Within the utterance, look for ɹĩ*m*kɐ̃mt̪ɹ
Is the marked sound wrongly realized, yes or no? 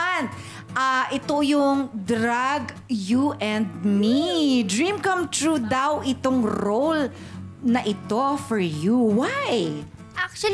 no